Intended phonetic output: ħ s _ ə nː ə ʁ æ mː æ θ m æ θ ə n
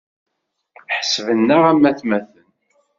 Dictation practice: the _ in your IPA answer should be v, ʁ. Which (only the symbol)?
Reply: v